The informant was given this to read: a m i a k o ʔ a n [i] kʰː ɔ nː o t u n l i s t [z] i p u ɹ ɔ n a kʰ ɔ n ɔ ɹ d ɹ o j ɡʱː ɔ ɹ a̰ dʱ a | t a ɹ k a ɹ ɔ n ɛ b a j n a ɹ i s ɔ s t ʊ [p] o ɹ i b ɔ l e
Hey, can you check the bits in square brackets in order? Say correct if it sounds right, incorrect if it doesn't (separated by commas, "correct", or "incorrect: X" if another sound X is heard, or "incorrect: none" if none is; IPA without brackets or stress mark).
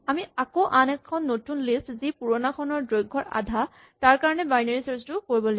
incorrect: ɛ, correct, incorrect: k